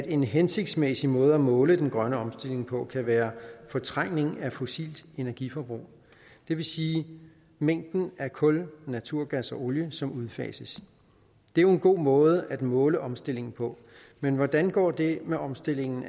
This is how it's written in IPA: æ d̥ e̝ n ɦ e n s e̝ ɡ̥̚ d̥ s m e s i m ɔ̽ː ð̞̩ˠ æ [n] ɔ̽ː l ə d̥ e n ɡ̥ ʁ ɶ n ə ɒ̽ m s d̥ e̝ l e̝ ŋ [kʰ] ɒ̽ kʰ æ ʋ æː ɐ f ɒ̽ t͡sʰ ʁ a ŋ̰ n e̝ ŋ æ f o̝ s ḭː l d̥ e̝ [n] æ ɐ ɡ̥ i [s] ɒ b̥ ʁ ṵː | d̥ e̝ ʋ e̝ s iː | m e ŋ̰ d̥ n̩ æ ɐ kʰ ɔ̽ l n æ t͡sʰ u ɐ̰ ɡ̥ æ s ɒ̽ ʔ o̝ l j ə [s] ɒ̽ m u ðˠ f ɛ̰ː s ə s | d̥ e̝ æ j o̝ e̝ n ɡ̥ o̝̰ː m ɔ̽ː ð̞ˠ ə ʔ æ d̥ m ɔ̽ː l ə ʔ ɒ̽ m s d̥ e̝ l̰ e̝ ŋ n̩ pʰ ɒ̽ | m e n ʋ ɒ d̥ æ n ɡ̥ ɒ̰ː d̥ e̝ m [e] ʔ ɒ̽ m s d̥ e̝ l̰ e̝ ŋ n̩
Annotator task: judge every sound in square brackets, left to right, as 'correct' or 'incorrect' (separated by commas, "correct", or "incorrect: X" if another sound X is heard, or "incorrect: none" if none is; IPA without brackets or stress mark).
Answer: incorrect: m, incorrect: pʰ, correct, incorrect: f, correct, correct